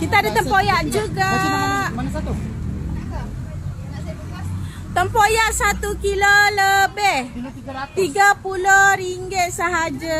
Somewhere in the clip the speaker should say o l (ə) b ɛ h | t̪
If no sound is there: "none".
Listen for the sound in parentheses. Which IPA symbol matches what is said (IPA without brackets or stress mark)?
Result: ə